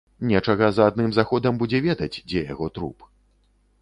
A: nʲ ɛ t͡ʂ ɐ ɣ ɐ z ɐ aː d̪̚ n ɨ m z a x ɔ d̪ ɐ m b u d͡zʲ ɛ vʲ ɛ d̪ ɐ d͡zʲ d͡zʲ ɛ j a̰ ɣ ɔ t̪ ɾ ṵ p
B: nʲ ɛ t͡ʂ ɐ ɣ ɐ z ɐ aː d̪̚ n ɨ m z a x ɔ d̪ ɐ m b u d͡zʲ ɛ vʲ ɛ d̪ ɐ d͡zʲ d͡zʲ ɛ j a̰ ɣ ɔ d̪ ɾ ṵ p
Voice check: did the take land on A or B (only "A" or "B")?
A